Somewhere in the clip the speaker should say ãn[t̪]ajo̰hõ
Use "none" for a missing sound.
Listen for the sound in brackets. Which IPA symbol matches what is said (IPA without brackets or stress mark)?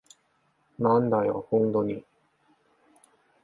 d̪